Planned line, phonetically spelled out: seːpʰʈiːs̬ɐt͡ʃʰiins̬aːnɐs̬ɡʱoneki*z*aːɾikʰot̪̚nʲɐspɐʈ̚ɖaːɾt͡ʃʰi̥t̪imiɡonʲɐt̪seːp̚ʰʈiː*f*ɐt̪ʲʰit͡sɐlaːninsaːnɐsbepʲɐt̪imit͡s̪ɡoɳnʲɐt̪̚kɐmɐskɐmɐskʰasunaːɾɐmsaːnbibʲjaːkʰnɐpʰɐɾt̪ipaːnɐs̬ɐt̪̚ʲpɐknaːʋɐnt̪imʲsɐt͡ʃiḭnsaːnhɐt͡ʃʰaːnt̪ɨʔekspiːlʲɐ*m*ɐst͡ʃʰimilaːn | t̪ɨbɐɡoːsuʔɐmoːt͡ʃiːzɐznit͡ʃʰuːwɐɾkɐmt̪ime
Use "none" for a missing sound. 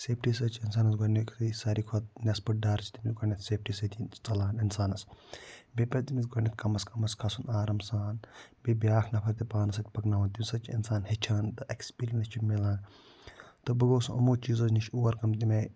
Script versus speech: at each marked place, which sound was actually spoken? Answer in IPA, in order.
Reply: s, s, n

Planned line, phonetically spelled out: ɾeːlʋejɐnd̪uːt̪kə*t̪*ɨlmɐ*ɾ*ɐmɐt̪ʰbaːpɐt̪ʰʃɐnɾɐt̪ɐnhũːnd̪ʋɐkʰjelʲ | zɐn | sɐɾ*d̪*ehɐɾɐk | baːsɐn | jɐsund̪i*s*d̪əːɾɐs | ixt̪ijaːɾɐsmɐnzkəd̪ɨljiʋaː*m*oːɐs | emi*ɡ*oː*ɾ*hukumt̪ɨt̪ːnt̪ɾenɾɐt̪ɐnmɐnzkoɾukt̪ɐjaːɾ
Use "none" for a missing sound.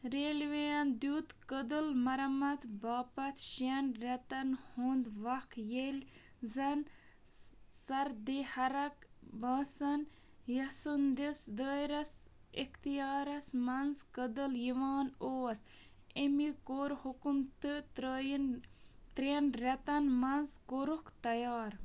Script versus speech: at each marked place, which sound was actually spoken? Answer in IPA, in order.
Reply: d̪, ɾ, d̪, s, n, k, ɾ

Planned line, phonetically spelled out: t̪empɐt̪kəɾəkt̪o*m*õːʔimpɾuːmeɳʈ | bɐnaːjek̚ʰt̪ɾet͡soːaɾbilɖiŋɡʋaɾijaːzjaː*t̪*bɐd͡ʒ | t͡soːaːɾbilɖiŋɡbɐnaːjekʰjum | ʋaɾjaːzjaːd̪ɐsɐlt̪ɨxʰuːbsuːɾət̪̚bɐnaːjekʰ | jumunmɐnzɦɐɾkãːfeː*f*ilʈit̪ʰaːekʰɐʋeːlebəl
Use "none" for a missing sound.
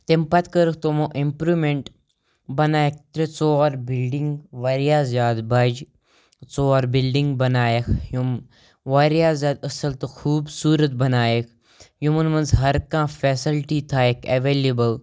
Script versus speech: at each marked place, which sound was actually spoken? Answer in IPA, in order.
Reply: m, d̪, s

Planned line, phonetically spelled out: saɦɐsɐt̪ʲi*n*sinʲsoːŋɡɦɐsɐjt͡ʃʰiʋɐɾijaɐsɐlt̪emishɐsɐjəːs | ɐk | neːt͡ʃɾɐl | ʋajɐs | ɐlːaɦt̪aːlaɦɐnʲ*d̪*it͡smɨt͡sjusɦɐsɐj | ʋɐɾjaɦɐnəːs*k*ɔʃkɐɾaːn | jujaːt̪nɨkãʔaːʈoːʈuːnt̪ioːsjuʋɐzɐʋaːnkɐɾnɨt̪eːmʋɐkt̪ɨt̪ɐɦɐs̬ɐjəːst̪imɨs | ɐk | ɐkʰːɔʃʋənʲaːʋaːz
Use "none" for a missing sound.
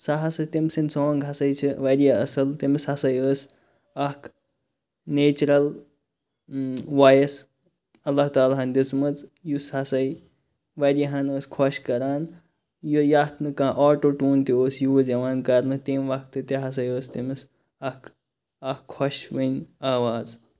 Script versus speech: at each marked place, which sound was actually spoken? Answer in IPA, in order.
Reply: m, d̪, kʰ

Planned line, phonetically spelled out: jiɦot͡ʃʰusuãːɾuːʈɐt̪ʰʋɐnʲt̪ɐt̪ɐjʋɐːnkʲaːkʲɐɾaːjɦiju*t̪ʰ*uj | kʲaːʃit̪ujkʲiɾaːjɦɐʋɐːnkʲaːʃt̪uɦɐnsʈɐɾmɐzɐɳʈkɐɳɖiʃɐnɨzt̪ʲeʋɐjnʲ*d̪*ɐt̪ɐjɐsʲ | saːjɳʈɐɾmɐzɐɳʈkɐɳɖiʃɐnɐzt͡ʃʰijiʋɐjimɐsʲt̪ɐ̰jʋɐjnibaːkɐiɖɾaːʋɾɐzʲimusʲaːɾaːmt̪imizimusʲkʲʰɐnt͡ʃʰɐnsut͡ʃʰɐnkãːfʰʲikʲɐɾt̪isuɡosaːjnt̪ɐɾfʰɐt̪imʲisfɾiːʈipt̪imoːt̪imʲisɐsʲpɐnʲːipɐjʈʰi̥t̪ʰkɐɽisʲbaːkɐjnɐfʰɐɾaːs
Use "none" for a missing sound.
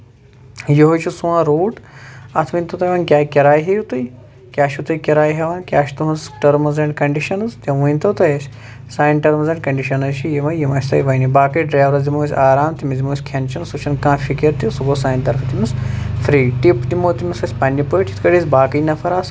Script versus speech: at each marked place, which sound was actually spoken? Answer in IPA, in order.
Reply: t̪, t̪

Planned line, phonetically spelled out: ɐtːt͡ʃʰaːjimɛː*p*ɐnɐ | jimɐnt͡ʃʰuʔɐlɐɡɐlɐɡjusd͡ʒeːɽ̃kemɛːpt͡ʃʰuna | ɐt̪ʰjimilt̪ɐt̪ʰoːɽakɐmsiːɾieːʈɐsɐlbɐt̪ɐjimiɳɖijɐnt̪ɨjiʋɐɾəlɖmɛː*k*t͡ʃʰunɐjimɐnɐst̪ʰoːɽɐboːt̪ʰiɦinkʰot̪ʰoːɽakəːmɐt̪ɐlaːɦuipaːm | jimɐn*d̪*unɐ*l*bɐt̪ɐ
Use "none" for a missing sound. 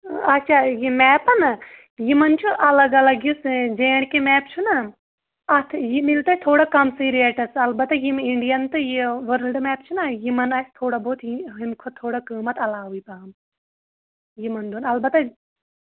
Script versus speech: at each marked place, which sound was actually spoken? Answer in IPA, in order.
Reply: p, p, d̪, l

